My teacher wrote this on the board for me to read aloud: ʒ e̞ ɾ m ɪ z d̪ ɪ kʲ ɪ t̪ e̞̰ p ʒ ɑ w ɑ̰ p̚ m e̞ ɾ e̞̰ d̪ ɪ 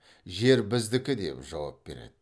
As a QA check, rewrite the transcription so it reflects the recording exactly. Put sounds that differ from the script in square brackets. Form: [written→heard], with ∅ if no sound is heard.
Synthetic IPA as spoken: ʒ e̞ ɾ [m→b] ɪ z d̪ ɪ kʲ ɪ [t̪→d̪] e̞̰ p ʒ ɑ w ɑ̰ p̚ [m→b] e̞ ɾ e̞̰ d̪ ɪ

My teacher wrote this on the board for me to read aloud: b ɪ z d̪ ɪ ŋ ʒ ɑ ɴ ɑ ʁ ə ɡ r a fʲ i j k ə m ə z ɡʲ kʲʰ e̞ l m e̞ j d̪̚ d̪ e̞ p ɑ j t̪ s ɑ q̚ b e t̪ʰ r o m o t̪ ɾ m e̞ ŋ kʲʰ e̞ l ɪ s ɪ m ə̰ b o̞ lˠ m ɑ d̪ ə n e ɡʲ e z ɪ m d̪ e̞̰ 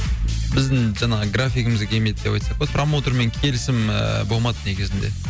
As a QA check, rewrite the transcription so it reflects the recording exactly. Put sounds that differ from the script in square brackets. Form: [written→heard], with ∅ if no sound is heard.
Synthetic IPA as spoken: b ɪ z d̪ ɪ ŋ ʒ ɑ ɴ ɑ ʁ ə ɡ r a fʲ i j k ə m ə z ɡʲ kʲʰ e̞ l m e̞ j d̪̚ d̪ e̞ p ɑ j t̪ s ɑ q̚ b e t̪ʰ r o m o t̪ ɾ m e̞ ŋ kʲʰ e̞ l ɪ s ɪ m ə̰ b o̞ lˠ m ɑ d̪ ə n e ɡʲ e z ɪ [m→n] d̪ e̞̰

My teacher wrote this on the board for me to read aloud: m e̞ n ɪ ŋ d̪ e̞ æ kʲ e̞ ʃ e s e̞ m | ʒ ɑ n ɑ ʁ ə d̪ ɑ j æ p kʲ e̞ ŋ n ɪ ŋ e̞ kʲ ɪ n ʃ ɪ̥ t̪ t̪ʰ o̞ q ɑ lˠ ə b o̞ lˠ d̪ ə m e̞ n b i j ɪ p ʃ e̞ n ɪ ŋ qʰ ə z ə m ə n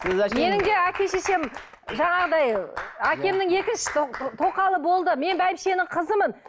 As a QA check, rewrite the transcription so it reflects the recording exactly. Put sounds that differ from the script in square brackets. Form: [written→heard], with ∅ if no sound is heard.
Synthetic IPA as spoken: m e̞ n ɪ ŋ d̪ e̞ æ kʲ e̞ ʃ e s e̞ m | ʒ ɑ [n→ɴ] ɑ ʁ ə d̪ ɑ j æ [p→∅] kʲ e̞ [ŋ→m] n ɪ ŋ e̞ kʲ ɪ n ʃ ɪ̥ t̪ t̪ʰ o̞ q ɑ lˠ ə b o̞ lˠ d̪ ə m e̞ n b [i→æ] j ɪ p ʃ e̞ n ɪ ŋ qʰ ə z ə m ə n

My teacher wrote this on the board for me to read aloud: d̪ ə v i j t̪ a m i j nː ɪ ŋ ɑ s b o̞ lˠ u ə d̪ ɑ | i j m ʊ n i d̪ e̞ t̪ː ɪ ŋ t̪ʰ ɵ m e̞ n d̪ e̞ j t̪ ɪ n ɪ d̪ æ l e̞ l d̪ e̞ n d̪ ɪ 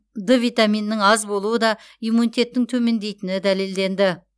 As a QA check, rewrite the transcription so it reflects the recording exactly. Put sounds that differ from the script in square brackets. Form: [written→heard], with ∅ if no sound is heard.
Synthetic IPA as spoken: d̪ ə v i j t̪ a m i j nː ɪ ŋ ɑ [s→z] b o̞ lˠ u ə d̪ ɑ | i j m [ʊ→u] n i [d̪→t̪] e̞ t̪ː ɪ ŋ t̪ʰ ɵ m e̞ n d̪ e̞ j t̪ ɪ n ɪ d̪ æ l e̞ l d̪ e̞ n d̪ ɪ

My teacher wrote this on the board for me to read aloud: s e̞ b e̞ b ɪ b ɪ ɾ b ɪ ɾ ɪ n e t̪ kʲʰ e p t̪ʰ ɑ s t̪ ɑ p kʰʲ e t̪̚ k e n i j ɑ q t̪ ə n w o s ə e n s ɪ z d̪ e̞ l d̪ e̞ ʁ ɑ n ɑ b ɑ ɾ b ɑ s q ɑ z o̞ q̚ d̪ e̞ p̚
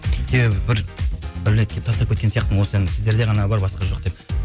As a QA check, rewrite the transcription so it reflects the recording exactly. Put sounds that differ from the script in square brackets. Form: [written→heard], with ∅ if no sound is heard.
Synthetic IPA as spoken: s e̞ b e̞ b ɪ b ɪ ɾ b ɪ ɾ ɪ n e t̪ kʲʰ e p t̪ʰ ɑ s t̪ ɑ p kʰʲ e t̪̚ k e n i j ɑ q t̪ ə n w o s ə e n s ɪ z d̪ e̞ [l→ɾ] d̪ e̞ ʁ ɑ n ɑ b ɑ ɾ b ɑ s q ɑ [z→ʒ] o̞ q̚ d̪ e̞ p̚

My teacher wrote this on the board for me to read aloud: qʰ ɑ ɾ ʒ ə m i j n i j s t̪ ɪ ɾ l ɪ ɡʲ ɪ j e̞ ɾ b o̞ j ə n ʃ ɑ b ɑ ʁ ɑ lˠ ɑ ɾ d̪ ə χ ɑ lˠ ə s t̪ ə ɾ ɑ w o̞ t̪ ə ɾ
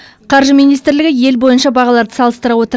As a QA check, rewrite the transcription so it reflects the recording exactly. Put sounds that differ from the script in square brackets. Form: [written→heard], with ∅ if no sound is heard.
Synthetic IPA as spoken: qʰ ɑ ɾ ʒ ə m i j n i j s t̪ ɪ ɾ l ɪ ɡʲ ɪ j e̞ [ɾ→l] b o̞ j ə n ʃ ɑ b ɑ ʁ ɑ lˠ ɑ ɾ d̪ ə [χ→s] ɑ lˠ ə s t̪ ə ɾ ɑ w o̞ t̪ ə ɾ

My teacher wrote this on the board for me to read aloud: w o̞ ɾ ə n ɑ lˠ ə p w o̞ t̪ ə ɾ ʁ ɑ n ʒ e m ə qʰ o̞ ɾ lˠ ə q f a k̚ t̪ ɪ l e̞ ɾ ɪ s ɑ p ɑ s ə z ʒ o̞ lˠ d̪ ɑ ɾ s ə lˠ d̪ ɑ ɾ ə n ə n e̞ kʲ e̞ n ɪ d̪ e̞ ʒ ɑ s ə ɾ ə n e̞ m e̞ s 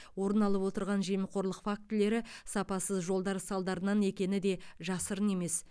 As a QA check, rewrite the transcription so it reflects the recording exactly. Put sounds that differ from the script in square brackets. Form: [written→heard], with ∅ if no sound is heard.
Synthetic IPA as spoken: w o̞ ɾ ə n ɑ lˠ ə p w o̞ t̪ ə ɾ ʁ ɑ n ʒ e m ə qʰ o̞ ɾ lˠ ə q f a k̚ t̪ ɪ l e̞ ɾ ɪ s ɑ p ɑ s ə z ʒ o̞ lˠ d̪ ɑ ɾ s [ə→ɑ] lˠ d̪ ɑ ɾ ə n [ə→ɑ] n e̞ kʲ e̞ n ɪ d̪ e̞ ʒ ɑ s ə ɾ ə n e̞ m e̞ s

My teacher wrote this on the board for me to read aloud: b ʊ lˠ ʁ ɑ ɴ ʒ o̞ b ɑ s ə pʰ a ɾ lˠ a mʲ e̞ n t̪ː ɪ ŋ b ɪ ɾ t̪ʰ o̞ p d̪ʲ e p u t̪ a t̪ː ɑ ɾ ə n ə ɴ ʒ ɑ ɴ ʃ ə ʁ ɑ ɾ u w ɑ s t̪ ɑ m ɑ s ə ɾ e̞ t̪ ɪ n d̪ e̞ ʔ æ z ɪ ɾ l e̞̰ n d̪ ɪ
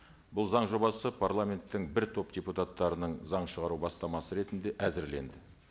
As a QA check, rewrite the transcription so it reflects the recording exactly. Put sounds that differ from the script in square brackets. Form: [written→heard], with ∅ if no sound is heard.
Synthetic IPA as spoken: b ʊ lˠ [ʁ→z] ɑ ɴ ʒ o̞ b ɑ s ə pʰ a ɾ lˠ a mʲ e̞ n t̪ː ɪ ŋ b ɪ ɾ t̪ʰ o̞ p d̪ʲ e p u t̪ a t̪ː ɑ ɾ ə n ə ɴ [ʒ→z] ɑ ɴ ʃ ə ʁ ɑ ɾ u [w→b] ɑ s t̪ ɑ m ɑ s ə ɾ e̞ t̪ ɪ n d̪ e̞ ʔ æ z ɪ ɾ l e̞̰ n d̪ ɪ

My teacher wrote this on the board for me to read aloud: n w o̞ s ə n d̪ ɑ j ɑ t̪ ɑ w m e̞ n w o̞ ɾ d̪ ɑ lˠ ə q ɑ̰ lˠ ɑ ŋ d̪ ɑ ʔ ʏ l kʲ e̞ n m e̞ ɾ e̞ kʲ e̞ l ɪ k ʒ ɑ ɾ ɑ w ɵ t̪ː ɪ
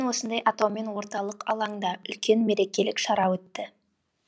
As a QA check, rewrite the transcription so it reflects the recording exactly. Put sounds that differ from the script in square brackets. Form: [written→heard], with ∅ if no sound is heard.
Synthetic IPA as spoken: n w o̞ s ə n d̪ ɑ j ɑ t̪ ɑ w m e̞ n w o̞ ɾ [d̪→t̪] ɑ lˠ ə q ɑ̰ lˠ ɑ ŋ d̪ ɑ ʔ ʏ l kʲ e̞ n m e̞ ɾ e̞ kʲ e̞ l ɪ k [ʒ→ʃ] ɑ ɾ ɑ w ɵ t̪ː ɪ

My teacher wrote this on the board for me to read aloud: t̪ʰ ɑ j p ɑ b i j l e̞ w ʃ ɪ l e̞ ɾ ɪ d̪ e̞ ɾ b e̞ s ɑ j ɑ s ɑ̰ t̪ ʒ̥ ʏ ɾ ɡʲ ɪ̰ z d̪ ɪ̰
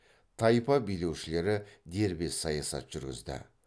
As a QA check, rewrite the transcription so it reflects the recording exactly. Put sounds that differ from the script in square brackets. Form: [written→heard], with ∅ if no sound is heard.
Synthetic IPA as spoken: t̪ʰ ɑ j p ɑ b i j l e̞ w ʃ ɪ l e̞ ɾ ɪ d̪ e̞ ɾ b e̞ s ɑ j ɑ s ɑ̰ t̪ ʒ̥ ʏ ɾ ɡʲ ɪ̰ z d̪ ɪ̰

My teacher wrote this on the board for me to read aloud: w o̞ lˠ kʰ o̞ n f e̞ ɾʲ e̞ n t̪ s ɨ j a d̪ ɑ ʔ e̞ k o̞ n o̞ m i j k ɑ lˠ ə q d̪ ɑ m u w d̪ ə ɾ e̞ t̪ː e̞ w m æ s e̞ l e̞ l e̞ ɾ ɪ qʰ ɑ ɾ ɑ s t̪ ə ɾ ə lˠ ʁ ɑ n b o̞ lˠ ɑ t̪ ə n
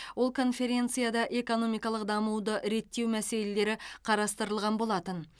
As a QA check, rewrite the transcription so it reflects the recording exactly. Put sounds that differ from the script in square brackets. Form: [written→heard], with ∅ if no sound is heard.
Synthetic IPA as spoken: w o̞ lˠ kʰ o̞ n f e̞ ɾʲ e̞ n t̪ s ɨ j a d̪ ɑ ʔ e̞ k o̞ n o̞ m i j k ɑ lˠ ə q d̪ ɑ m u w d̪ ə ɾ e̞ t̪ː e̞ w m æ s e̞ l e̞ l e̞ ɾ ɪ qʰ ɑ ɾ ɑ s t̪ ə ɾ ə lˠ ʁ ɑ n b o̞ lˠ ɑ t̪ ə n

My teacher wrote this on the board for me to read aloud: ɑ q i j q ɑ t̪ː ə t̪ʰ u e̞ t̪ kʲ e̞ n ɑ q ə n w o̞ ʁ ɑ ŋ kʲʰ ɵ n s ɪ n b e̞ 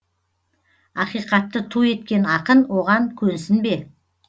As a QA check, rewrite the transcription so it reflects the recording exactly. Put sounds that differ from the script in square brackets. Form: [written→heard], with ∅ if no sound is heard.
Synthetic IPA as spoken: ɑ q i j q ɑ t̪ː ə t̪ʰ u e̞ t̪ kʲ e̞ n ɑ q ə n w o̞ ʁ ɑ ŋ kʲʰ ɵ n s ɪ n b e̞

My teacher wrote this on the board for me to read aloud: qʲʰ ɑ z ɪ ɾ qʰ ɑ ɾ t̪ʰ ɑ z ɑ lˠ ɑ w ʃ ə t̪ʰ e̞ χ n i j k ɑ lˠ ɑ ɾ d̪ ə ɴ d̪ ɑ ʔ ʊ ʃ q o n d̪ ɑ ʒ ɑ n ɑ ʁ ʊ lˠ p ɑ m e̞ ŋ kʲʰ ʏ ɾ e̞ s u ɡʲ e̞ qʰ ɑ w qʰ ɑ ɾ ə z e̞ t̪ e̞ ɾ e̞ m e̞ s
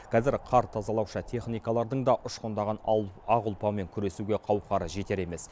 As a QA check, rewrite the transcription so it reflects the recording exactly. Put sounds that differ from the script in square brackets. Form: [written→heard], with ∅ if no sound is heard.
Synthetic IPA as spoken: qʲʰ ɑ z ɪ ɾ qʰ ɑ ɾ t̪ʰ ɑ z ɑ lˠ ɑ w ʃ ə t̪ʰ e̞ χ n i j k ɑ lˠ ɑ ɾ d̪ ə ɴ d̪ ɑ ʔ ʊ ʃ q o n d̪ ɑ [ʒ→ʁ] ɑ n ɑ ʁ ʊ lˠ p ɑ m e̞ ŋ kʲʰ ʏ ɾ e̞ s u ɡʲ e̞ qʰ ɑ w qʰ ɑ ɾ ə [z→ʒ] e̞ t̪ e̞ ɾ e̞ m e̞ s

